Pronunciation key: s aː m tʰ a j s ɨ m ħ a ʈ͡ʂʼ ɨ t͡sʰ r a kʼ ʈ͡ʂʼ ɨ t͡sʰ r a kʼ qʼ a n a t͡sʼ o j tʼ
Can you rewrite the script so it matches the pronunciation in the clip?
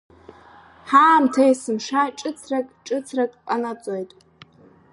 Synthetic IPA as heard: ħ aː m tʰ a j s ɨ m ʂ a ʈ͡ʂʼ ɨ t͡sʰ r a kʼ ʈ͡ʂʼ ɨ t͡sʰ r a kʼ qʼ a n a t͡sʼ o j tʼ